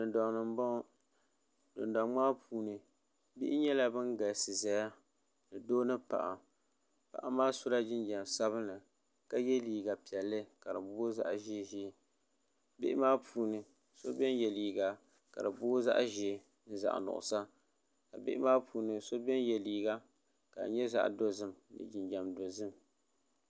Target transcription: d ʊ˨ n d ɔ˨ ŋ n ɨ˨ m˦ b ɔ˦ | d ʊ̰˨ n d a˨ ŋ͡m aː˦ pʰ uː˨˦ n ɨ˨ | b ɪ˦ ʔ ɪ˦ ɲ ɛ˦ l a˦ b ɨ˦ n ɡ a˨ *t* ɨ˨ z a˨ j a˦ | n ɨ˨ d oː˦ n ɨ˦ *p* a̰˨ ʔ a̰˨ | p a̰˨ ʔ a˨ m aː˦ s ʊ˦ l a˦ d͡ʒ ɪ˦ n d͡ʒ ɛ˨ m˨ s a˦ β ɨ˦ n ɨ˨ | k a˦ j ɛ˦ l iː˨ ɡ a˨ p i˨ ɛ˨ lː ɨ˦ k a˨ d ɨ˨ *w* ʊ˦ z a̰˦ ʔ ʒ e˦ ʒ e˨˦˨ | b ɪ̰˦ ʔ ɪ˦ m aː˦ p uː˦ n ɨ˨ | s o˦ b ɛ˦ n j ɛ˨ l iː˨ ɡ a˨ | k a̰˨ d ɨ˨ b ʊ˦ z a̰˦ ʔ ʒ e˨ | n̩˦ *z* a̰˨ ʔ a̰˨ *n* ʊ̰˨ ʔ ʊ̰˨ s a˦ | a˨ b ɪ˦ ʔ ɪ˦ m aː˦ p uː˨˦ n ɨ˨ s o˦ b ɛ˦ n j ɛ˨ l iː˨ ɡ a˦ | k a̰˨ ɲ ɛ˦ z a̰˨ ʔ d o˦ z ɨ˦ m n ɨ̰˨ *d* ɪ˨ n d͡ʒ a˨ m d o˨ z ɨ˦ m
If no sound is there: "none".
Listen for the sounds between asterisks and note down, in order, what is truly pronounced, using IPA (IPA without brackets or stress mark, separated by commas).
s, p, b, z, n, d͡ʒ